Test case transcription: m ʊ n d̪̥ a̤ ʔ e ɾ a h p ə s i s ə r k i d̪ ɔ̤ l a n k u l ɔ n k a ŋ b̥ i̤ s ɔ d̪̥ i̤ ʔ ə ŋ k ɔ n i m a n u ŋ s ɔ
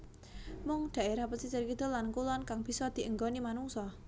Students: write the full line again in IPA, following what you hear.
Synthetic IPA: m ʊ ŋ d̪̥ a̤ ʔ e ɾ a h p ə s i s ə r k i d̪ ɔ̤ l a n k u l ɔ n k a ŋ b̥ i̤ s ɔ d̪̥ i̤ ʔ ə ŋ ɡ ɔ n i m a n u ŋ s ɔ